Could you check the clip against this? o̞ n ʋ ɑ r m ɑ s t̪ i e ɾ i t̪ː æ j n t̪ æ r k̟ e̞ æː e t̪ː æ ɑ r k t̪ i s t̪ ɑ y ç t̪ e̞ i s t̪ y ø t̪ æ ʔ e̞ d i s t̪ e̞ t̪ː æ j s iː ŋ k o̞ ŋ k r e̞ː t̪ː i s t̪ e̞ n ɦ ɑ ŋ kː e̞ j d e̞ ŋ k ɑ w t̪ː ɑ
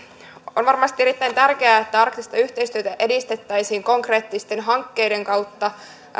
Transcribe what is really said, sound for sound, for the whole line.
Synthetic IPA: o̞ n ʋ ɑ r m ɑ s t̪ i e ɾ i t̪ː æ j n t̪ æ r k̟ e̞ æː e t̪ː æ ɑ r k t̪ i s t̪ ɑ y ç t̪ e̞ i s t̪ y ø t̪ æ ʔ e̞ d i s t̪ e̞ t̪ː æ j s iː ŋ k o̞ ŋ k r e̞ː t̪ː i s t̪ e̞ n ɦ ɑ ŋ kː e̞ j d e̞ ŋ k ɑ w t̪ː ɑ

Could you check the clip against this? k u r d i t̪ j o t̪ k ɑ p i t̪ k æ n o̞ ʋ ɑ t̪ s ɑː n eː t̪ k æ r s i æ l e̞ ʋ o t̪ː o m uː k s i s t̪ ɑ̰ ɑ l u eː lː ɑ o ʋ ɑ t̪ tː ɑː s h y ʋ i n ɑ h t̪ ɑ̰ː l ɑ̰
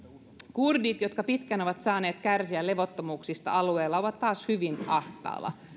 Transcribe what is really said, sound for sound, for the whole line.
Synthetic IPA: k u r d i t̪ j o t̪ k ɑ p i t̪ k æ n o̞ ʋ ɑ t̪ s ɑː n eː t̪ k æ r s i æ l e̞ ʋ o t̪ː o m uː k s i s t̪ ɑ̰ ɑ l u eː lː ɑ o ʋ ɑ t̪ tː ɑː s h y ʋ i n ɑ h t̪ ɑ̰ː l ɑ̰

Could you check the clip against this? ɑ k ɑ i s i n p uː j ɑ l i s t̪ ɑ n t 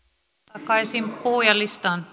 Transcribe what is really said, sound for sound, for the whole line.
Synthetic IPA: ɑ k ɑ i s i m p uː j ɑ l i s t̪ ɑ n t

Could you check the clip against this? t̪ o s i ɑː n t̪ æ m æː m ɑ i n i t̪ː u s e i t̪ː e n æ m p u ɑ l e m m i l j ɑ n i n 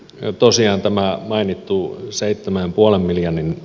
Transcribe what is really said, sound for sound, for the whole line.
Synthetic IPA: t̪ o s i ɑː n t̪ æ m æ m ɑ i n i t̪ː u s e i t̪ː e m æ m p u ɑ l e m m i l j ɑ n i n

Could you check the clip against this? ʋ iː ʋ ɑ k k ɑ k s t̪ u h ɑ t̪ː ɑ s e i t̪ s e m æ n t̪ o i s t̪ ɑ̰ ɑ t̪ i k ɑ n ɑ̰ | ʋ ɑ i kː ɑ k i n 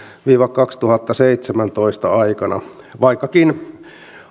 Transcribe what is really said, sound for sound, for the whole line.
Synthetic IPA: ʋ iː ʋ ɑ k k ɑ k s t̪ u h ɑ t̪ː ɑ s e i t̪ s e m æ n t̪ o i s t̪ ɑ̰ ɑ i k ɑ n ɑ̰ | ʋ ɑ i kː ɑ k i n

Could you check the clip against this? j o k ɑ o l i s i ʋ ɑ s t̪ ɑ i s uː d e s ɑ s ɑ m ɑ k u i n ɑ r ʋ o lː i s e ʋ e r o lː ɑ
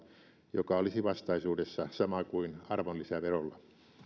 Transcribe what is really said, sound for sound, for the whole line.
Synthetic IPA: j o k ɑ o l i s i ʋ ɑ s t̪ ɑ i s uː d e sː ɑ s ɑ m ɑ k u i n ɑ r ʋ o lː i s æ ʋ e r o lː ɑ

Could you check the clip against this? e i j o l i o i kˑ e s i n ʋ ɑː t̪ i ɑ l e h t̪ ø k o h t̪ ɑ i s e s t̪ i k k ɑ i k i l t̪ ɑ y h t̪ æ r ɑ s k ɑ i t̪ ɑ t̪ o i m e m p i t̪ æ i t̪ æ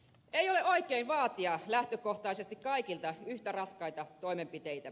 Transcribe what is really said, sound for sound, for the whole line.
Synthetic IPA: e i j o l e o i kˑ e i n ʋ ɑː t̪ i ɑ l æ h t̪ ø k o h t̪ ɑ i s e s t̪ i k k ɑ i k i l t̪ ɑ y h t̪ æ r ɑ s k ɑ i t̪ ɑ t̪ o i m e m p i t̪ e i t̪ æ

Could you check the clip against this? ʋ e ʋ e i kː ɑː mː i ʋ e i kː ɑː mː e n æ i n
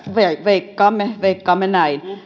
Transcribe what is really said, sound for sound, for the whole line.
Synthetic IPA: ʋ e ʋ e i kː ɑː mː e ʋ e i kː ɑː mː e n æ i n

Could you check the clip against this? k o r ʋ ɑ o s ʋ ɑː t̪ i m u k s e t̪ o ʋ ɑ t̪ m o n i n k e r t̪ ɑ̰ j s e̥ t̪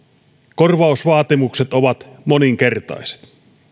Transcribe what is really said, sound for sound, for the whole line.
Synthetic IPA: k o r ʋ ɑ u s ʋ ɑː t̪ i m u k s e t̪ o ʋ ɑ t̪ m o n i ŋ k e r t̪ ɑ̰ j s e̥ t̪

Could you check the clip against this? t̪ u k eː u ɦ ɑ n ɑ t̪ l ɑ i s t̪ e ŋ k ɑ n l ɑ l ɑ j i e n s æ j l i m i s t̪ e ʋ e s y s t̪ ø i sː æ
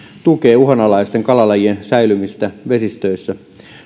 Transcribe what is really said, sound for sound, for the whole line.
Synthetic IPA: t̪ u k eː u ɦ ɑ n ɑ l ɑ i s t̪ e ŋ k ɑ l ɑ l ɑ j i e n s æ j l y m i s t̪ æ ʋ e s i s t̪ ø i sː æ

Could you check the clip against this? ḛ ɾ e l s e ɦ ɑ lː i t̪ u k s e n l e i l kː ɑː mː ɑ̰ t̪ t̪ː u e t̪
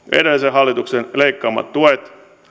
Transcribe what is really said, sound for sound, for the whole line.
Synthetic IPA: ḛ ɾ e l s e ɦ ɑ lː i t̪ u k s e n l e i kː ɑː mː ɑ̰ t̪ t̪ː u e t̪

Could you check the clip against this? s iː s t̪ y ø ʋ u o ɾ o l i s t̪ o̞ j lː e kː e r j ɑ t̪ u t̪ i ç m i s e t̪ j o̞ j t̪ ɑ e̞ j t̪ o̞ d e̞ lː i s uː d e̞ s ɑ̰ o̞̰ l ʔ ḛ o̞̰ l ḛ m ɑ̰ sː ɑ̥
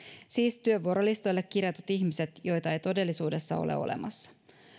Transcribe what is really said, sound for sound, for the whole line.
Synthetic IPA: s iː s t̪ y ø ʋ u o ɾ o l i s t̪ o̞ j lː e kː i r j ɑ t̪ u t̪ i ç m i s e t̪ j o̞ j t̪ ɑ e̞ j t̪ o̞ d e̞ lː i s uː d e̞ sː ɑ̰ o̞̰ l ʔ ḛ o̞̰ l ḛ m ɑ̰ sː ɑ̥

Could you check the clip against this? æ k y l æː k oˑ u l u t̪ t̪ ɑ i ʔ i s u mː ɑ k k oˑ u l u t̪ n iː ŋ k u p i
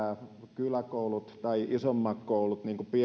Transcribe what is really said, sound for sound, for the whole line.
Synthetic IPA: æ k y l æ k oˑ u l u t̪ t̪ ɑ i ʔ i s o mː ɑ k k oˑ u l u t̪ n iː ŋ k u p i

